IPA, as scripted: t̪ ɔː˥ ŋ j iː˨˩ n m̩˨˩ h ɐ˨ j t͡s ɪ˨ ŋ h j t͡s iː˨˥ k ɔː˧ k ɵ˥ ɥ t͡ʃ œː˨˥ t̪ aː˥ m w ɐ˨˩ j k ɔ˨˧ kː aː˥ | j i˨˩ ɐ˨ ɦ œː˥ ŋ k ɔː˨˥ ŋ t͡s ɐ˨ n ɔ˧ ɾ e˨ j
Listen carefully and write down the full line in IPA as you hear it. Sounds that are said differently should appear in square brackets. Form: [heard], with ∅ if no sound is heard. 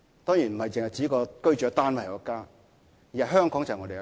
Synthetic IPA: t̪ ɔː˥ ŋ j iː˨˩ n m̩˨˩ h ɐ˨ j t͡s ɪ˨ ŋ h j t͡s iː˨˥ k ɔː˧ k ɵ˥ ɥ t͡ʃ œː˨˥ t̪ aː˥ [n] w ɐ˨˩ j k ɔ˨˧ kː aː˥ | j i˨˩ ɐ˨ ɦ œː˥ ŋ k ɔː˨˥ ŋ t͡s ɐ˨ [ŋ] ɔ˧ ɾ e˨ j